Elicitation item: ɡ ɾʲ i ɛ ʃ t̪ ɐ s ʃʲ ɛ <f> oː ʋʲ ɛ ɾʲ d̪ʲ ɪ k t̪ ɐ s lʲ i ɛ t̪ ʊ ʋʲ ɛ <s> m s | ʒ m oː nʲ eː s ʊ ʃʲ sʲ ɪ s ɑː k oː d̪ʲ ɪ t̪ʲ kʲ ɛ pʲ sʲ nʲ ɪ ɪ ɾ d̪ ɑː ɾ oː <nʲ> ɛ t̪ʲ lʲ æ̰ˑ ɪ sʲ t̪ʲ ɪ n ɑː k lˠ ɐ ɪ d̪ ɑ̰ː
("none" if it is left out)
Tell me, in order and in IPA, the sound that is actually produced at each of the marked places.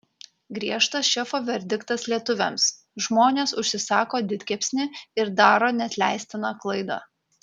f, none, nʲ

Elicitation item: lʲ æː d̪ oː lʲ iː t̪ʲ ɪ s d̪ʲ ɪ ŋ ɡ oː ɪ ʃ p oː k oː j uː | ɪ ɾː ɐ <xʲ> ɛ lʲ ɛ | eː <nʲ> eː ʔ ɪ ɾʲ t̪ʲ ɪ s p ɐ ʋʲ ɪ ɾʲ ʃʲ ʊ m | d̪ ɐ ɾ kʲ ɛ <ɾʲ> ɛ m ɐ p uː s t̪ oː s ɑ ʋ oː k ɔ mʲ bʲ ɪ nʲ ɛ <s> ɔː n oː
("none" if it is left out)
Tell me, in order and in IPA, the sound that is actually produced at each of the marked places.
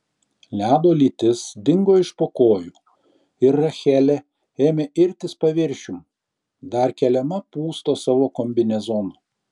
xʲ, mʲ, lʲ, z

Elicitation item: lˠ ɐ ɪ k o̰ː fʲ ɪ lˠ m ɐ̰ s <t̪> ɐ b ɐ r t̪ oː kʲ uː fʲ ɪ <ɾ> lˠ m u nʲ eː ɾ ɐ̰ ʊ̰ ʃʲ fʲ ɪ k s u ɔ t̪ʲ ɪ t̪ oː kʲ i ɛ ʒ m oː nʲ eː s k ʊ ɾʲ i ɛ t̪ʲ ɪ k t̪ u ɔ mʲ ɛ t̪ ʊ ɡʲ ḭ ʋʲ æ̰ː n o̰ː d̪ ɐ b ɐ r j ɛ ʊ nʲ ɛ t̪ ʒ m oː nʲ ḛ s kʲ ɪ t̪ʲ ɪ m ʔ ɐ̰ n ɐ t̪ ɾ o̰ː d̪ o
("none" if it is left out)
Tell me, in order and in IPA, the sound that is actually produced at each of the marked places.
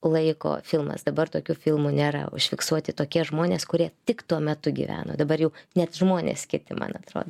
d̪, none

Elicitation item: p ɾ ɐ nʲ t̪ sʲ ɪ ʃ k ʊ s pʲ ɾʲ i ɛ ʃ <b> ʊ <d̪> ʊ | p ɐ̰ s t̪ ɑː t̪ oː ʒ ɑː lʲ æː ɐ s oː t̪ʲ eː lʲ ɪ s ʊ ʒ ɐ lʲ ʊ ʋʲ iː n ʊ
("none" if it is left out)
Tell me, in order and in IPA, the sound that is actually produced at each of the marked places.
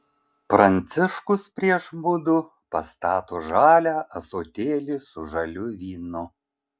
b, d̪

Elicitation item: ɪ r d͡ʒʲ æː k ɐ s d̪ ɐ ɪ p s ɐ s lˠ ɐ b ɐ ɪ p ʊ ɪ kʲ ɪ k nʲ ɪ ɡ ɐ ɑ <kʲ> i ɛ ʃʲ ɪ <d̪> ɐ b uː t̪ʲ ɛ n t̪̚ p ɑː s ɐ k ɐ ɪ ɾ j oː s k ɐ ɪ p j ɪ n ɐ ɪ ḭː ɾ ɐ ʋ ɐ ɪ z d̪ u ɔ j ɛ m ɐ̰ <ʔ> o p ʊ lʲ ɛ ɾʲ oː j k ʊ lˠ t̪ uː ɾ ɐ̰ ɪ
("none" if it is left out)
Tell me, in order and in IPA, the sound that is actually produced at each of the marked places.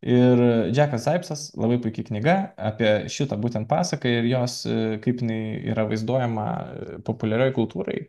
pʲ, t̪, p

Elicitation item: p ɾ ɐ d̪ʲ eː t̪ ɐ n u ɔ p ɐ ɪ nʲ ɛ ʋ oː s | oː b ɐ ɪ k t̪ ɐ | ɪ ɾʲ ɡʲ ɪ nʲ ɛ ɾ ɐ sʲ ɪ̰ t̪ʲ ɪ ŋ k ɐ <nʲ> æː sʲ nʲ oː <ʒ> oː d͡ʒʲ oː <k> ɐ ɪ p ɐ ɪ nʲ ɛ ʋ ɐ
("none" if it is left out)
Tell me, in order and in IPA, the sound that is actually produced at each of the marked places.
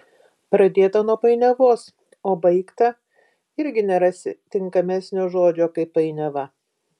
mʲ, ʒ, k

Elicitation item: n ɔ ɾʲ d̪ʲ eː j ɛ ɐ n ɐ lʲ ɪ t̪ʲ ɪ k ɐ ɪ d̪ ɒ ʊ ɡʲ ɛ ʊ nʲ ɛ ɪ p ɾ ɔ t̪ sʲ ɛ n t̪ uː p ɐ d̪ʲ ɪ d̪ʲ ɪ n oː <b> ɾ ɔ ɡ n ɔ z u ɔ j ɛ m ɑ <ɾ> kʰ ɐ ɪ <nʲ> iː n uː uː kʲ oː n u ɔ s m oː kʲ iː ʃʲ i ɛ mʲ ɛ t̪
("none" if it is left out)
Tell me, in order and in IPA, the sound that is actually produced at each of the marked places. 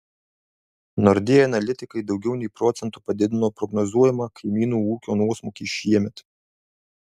p, none, mʲ

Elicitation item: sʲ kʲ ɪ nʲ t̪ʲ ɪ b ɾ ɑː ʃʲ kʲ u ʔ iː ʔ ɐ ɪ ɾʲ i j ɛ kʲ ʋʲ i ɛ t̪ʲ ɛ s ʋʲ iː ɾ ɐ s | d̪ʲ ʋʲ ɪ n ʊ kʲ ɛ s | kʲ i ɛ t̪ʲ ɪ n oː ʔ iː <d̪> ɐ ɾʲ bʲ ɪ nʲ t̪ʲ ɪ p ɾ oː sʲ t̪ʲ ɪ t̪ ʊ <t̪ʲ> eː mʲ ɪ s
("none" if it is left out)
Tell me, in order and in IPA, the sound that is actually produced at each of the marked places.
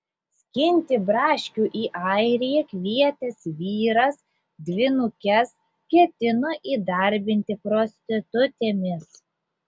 d̪, t̪ʲ

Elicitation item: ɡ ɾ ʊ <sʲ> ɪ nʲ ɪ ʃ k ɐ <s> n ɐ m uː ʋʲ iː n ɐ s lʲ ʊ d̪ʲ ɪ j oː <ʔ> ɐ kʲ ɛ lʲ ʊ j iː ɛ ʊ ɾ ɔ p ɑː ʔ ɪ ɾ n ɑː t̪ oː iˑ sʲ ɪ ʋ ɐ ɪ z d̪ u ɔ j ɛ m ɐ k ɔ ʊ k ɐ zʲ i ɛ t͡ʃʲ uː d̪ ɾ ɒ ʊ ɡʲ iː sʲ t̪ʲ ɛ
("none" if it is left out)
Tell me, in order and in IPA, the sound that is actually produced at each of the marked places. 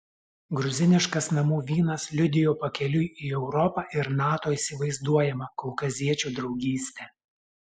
zʲ, s, p

